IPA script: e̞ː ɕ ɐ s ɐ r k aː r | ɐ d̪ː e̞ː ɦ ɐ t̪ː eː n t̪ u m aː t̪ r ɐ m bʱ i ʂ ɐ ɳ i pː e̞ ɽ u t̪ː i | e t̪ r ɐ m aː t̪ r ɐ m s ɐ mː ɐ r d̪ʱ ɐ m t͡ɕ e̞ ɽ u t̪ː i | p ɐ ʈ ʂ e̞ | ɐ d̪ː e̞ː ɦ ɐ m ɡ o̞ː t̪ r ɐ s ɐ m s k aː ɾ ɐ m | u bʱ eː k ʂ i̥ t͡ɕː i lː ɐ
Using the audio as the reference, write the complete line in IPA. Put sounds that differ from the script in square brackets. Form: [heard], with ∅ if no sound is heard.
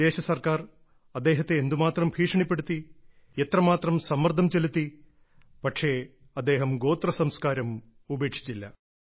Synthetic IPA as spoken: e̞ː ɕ ɐ s ɐ r k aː r | ɐ d̪ː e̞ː ɦ ɐ t̪ː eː n [d̪] u m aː t̪ r ɐ m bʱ [iː] ʂ ɐ ɳ i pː e̞ ɽ u t̪ː i | e t̪ r ɐ m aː t̪ r ɐ m s ɐ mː ɐ r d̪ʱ ɐ m t͡ɕ e̞ [l] u t̪ː i | p ɐ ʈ ʂ e̞ | ɐ d̪ː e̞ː ɦ ɐ m ɡ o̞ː t̪ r ɐ s ɐ m s k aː ɾ ɐ m | u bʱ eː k ʂ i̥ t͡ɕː i lː ɐ